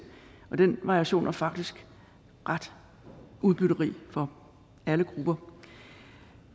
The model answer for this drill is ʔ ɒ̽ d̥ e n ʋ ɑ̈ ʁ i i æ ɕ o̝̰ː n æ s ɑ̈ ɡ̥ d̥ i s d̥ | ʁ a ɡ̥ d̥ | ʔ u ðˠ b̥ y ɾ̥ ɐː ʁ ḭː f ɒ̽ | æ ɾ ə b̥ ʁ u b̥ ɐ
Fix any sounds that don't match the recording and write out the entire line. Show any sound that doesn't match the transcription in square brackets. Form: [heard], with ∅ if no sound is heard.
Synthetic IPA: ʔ ɒ̽ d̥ e n ʋ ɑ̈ ʁ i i æ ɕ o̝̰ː n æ [f] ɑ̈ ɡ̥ d̥ i s [ɡ̥] | ʁ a [∅] d̥ | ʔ u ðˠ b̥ y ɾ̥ [ɐ] ʁ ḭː f ɒ̽ | æ [l] ə [ɡ̥] ʁ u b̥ ɐ